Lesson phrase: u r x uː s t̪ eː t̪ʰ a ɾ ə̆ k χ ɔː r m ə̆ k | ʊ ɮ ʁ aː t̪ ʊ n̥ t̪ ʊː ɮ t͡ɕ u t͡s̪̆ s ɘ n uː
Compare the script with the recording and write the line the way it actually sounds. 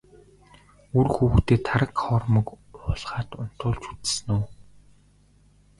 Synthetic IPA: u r x uː x t̪ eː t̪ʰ a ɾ ə̆ k χ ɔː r m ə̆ k | ʊ ɮ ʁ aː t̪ ʊ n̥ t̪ ʊː ɮ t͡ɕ u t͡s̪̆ s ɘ n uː

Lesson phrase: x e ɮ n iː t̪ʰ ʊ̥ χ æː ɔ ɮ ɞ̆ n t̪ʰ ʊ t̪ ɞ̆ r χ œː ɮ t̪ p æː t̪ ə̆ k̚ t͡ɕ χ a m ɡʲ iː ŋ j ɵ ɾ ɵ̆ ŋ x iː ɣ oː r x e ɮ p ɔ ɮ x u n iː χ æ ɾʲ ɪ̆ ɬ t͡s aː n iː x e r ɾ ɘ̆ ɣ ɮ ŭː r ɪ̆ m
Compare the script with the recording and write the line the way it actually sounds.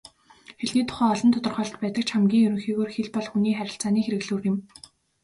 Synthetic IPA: x e ɮ n iː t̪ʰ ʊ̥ χ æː ɔ ɮ ɞ̆ n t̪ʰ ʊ t̪ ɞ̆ r χ œː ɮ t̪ p æː t̪ ə̆ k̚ t͡ɕ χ a m ɡʲ iː ŋ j ɵ ɾ ɵ̆ ŋ x iː ɣ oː r x e ɮ p ɔ ɮ x u n iː χ æ ɾʲ ɪ̆ ɬ t͡s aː n iː x e ɾ ɘ̆ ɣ ɮ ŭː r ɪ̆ m

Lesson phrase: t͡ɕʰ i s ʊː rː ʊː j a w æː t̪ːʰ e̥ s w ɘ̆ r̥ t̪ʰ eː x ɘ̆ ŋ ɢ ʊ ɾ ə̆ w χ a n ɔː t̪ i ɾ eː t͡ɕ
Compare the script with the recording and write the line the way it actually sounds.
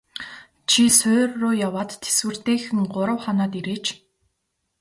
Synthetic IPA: t͡ɕʰ i s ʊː rː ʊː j a w aː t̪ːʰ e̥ s w ɘ̆ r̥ t̪ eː x ɘ̆ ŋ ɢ ʊ ɾ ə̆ w χ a n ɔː t̪ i ɾ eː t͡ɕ

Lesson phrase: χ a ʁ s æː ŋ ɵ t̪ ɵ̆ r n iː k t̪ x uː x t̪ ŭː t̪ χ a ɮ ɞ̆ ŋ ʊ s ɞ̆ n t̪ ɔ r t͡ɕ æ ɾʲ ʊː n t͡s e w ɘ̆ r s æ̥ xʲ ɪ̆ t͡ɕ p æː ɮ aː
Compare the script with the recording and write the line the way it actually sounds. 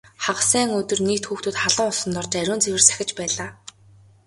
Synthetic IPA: χ a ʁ s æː ŋ ɵ t̪ ɵ̆ r n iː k t̪ x uː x t̪ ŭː t̪ χ a ɮ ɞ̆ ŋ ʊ s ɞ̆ n t̪ ɔ r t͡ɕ æ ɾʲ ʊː n t͡s e w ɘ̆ r s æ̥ xʲ ɪ̆ t͡ɕ p æː ɮ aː

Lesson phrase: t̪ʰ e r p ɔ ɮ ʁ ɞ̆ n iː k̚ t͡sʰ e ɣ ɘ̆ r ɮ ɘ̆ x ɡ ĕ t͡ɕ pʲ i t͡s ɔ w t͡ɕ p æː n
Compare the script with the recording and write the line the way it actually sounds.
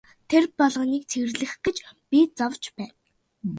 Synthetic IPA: t̪ʰ e r p ɔ ɮ ʁ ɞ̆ n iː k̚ t͡sʰ e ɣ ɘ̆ r ɮ ɘ̆ x ɡ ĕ t͡ɕ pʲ i t͡s ɔ w t͡ɕ p æː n

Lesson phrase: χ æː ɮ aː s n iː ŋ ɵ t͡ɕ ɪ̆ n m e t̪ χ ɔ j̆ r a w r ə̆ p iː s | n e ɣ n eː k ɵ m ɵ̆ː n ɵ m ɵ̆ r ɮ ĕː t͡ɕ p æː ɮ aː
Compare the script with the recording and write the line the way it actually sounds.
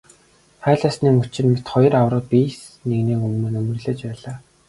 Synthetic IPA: χ æː ɮ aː s n iː ŋ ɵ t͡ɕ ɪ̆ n m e t̪ χ ɔ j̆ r a w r ə̆ p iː s | n e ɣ n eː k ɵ m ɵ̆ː n ɵ m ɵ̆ r ɮ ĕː t͡ɕ p æː ɮ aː

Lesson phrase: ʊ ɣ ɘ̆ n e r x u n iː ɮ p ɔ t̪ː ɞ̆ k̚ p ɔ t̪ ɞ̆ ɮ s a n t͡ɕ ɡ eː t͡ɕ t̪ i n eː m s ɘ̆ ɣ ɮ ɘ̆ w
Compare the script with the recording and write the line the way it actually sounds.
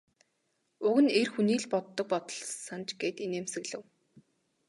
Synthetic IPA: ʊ ɣ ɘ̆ n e r x u n iː ɮ p ɔ t̪ː ɞ̆ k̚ p ɔ t̪ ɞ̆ ɮ s a n t͡ɕ ɡ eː t̪ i n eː m s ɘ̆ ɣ ɮ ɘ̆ w

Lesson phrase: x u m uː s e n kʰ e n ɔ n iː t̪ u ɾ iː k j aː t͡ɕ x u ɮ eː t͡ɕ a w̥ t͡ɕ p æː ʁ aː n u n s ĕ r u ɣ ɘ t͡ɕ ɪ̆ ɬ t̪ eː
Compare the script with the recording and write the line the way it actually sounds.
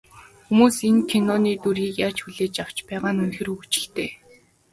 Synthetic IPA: x u m uː s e n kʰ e n ɔ n iː t̪ u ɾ iː k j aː t͡ɕ x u ɮ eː t͡ɕ a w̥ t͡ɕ p æː ʁ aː n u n x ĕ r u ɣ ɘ t͡ɕ ɪ̆ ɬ t̪ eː

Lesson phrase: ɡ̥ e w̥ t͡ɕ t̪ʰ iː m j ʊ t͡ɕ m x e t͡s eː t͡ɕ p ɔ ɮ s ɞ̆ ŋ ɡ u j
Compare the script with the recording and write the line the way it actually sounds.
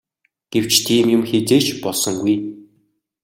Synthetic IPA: ɡ̥ e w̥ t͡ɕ t̪ʰ iː m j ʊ m x e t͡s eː t͡ɕ p ɔ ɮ s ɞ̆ ŋ ɡ u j

